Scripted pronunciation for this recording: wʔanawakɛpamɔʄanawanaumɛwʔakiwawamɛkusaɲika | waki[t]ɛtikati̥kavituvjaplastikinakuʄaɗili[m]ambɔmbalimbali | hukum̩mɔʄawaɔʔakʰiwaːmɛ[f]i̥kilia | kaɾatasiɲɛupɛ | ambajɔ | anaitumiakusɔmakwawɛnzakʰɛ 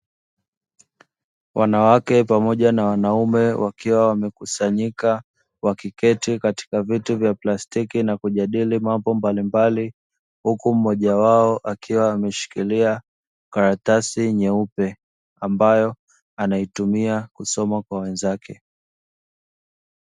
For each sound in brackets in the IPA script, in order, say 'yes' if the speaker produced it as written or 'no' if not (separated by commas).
no, yes, no